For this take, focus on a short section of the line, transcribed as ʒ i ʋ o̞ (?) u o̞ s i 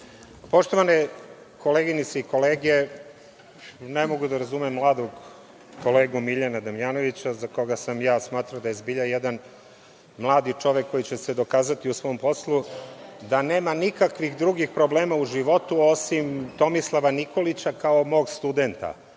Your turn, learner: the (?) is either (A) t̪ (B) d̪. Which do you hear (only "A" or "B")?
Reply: A